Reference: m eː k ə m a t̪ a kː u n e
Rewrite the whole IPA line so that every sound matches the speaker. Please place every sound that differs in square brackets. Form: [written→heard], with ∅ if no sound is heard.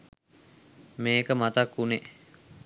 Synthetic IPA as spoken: m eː k ə m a t̪ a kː u n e